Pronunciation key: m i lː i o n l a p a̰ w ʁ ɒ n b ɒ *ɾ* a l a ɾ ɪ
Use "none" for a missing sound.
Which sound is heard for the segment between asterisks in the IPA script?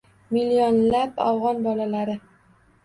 l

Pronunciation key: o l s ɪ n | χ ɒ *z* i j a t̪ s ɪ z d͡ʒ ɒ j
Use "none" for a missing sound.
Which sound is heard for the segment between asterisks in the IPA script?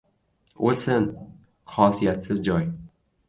s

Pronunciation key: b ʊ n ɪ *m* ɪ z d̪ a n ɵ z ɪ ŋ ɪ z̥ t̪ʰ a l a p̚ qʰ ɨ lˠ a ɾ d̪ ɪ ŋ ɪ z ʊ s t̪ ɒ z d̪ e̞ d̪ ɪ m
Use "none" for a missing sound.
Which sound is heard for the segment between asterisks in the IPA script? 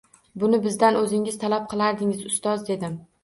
b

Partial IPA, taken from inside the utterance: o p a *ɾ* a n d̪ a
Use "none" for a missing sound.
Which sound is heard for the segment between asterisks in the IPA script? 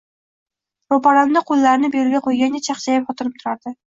ɾ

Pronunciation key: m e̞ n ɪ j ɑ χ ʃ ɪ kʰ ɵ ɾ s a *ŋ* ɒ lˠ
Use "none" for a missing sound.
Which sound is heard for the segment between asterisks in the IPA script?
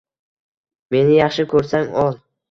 ŋ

